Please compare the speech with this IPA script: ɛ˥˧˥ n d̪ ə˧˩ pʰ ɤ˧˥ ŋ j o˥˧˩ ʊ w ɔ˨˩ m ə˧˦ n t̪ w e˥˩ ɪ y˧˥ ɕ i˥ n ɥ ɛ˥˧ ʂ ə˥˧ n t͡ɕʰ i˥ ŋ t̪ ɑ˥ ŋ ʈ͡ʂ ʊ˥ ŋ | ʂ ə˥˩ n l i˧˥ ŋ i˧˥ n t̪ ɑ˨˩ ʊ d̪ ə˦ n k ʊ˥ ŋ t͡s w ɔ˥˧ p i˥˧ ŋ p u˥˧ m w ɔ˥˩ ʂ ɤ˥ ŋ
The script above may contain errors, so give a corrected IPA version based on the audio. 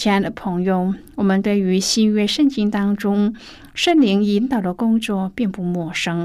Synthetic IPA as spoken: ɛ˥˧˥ n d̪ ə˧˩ pʰ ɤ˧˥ ŋ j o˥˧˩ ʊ w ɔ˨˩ m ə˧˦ n t̪ w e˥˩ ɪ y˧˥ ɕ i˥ n ɥ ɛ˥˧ ʂ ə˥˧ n t͡ɕ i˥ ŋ t̪ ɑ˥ ŋ ʈ͡ʂ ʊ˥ ŋ | ʂ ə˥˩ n l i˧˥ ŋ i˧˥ n t̪ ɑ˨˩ ʊ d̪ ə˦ k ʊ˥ ŋ t͡s w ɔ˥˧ p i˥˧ ŋ p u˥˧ m w ɔ˥˩ ʂ ɤ˥ ŋ